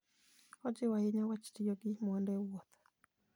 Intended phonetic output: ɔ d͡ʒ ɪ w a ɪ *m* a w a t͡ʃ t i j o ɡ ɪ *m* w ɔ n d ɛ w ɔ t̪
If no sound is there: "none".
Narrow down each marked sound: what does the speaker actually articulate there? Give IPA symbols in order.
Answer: ɲ, m

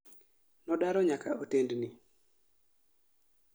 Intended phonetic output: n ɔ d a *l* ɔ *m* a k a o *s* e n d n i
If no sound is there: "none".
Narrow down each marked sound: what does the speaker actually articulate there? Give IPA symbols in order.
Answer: ɾ, ɲ, t

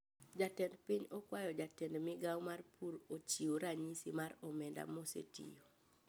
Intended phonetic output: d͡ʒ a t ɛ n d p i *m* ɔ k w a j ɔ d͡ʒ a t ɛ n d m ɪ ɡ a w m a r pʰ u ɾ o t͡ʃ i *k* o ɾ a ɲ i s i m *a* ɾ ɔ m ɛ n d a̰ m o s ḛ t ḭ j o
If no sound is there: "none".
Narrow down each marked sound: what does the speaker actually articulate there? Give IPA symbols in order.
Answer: ɲ, none, a

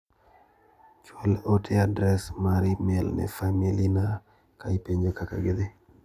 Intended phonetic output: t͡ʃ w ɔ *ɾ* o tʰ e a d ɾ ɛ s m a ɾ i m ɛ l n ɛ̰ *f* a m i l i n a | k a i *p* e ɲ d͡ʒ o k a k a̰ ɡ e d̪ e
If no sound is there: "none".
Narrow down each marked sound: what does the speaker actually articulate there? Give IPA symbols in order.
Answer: l, f, p

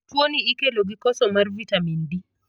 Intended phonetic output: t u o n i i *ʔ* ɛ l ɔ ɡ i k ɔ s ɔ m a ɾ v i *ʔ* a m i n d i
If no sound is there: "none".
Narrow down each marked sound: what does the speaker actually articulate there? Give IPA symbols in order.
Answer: k, t

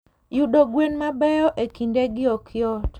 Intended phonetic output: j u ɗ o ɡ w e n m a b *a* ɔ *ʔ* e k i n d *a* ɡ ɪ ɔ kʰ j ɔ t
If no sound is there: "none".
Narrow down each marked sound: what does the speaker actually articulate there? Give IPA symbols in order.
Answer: ɛ, ʔ, e

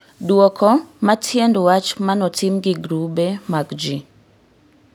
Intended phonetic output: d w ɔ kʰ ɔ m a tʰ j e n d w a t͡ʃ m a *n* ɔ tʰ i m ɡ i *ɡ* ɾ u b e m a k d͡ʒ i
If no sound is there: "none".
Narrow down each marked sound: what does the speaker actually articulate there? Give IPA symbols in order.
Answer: n, ɡ

